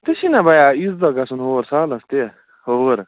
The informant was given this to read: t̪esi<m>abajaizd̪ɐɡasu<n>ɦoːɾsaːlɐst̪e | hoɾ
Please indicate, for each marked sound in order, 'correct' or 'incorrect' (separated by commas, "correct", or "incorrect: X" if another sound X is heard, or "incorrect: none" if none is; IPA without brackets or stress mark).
incorrect: n, correct